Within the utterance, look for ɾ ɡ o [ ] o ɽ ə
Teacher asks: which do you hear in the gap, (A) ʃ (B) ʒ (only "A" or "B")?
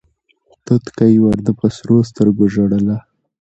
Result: B